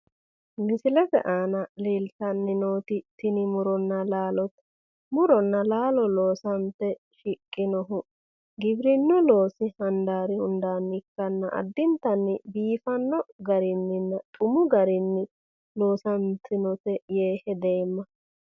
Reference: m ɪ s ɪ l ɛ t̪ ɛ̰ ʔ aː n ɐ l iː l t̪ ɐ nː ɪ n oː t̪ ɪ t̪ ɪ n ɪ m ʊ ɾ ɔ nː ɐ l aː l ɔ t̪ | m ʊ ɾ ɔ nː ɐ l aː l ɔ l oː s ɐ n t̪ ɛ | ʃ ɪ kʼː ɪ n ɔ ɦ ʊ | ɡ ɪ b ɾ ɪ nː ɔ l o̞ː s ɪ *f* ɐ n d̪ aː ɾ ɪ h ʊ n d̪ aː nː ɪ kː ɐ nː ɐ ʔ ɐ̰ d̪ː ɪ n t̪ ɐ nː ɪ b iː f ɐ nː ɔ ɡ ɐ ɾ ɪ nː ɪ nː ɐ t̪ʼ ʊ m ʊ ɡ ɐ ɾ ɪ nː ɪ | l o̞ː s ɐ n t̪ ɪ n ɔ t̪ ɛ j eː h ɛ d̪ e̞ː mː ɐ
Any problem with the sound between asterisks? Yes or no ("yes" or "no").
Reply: yes